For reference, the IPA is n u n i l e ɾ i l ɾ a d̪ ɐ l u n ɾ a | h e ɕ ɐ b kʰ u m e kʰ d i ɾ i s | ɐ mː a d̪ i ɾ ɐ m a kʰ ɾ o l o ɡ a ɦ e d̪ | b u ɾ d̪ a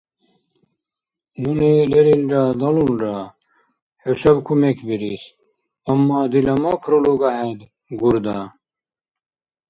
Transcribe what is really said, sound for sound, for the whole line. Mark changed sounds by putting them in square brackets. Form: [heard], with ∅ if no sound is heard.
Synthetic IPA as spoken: n u n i l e ɾ i l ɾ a d̪ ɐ l u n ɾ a | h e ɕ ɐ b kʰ u m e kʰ [b] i ɾ i s | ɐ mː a d̪ i [l] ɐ m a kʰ ɾ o l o ɡ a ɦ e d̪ | [ɡ] u ɾ d̪ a